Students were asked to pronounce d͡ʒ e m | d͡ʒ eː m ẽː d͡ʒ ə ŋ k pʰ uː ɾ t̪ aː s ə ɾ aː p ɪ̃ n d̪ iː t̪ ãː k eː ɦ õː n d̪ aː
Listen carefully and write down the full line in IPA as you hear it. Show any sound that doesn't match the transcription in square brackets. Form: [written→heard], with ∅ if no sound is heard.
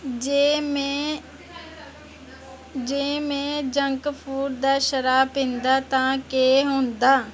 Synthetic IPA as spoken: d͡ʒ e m | d͡ʒ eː m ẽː d͡ʒ ə ŋ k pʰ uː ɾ [t̪→d̪] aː [s→ʃ] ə ɾ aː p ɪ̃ n d̪ [iː→aː] t̪ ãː k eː ɦ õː n d̪ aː

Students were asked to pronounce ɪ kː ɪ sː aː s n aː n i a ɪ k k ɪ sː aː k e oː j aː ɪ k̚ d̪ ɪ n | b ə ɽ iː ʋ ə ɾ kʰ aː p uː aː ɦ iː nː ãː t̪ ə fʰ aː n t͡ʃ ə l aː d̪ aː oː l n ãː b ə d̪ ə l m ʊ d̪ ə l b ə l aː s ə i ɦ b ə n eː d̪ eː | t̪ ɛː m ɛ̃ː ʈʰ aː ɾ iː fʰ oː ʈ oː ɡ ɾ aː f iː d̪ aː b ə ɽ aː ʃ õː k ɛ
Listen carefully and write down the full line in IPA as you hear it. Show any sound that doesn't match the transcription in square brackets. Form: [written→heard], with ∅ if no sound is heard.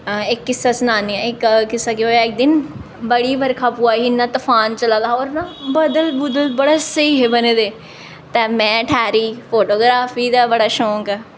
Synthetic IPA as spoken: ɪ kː ɪ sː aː s n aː n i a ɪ k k ɪ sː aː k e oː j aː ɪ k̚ d̪ ɪ n | b ə ɽ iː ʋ ə ɾ kʰ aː p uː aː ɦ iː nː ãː t̪ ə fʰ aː n t͡ʃ ə l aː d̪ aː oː [l→ɾ] n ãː b ə d̪ ə l [m→b] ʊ d̪ ə l b ə [l→ɽ] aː s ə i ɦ b ə n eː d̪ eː | t̪ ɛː m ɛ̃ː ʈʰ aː ɾ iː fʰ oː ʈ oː ɡ ɾ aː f iː d̪ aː b ə ɽ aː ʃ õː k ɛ

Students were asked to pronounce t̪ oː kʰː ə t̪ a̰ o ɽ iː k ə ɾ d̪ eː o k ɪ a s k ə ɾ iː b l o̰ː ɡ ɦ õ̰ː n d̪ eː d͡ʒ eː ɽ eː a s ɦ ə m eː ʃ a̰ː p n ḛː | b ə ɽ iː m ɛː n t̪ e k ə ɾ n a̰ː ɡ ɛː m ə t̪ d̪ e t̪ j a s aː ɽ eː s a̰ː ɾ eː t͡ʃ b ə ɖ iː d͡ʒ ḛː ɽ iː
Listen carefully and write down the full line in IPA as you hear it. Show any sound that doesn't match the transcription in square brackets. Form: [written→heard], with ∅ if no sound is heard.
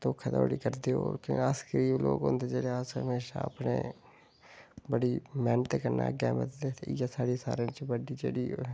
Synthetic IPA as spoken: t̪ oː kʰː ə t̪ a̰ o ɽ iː k ə ɾ d̪ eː o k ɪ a s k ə ɾ iː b l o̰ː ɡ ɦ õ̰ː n d̪ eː d͡ʒ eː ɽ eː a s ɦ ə m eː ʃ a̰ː p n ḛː | b ə ɽ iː m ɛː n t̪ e k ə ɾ n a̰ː ɡ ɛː m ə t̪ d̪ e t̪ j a s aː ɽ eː s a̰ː ɾ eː t͡ʃ b ə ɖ iː d͡ʒ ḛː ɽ iː

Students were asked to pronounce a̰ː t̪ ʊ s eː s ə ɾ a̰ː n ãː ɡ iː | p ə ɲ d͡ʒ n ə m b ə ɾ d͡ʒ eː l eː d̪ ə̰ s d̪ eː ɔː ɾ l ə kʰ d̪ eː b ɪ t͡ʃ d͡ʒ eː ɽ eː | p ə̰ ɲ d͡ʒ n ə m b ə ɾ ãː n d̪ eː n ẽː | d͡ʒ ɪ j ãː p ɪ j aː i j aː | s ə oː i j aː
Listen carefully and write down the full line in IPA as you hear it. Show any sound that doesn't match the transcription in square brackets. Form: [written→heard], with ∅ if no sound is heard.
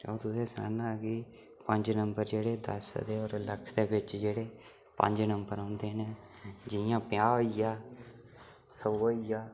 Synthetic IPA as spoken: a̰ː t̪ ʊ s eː s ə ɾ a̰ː n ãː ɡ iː | p ə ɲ d͡ʒ n ə m b ə ɾ d͡ʒ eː [l→ɽ] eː d̪ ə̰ s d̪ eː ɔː ɾ l ə kʰ d̪ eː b ɪ t͡ʃ d͡ʒ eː ɽ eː | p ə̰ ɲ d͡ʒ n ə m b ə ɾ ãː n d̪ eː n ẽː | d͡ʒ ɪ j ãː p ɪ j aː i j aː | s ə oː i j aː

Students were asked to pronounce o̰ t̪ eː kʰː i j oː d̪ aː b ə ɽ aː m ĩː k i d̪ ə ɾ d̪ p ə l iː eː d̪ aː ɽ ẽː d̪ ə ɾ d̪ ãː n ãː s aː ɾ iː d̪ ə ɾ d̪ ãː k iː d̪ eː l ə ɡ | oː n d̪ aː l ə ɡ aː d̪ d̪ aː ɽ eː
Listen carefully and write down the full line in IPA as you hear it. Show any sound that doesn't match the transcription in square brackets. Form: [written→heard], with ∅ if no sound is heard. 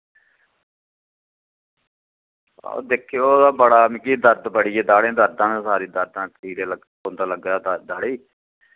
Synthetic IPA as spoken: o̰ [t̪→d̪] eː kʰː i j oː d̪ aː b ə ɽ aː m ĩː k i d̪ ə ɾ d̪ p ə [l→ɽ] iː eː d̪ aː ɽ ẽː d̪ ə ɾ d̪ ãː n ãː s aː ɾ iː d̪ ə ɾ d̪ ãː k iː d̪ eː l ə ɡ | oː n d̪ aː l ə ɡ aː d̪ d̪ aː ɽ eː

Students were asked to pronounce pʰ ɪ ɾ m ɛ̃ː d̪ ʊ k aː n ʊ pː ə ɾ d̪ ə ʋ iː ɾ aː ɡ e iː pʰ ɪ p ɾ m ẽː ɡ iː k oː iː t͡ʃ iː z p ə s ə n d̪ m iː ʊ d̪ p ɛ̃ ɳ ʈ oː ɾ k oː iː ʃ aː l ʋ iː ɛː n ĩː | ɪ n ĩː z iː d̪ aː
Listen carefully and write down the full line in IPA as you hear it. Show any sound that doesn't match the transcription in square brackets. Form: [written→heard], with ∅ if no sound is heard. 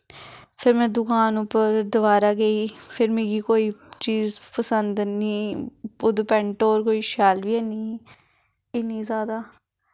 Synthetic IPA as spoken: pʰ ɪ ɾ m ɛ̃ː d̪ ʊ k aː n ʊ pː ə ɾ d̪ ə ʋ [iː→aː] ɾ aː ɡ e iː pʰ ɪ [p→∅] ɾ m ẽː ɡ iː k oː iː t͡ʃ iː z p ə s ə n d̪ [m→n] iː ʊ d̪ p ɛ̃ ɳ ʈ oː ɾ k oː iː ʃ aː l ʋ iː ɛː n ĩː | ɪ n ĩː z [iː→aː] d̪ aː

